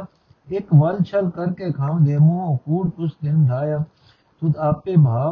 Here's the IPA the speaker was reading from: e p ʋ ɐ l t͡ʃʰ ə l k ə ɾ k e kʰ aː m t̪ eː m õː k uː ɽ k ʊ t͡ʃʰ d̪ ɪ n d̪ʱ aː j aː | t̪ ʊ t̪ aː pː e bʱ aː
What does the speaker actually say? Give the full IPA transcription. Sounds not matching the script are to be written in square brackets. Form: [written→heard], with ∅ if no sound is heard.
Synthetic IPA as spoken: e [p→k] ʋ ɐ l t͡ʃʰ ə l k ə ɾ k e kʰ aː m [t̪→d̪] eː m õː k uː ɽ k ʊ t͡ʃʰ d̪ ɪ n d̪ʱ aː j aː | t̪ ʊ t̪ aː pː e bʱ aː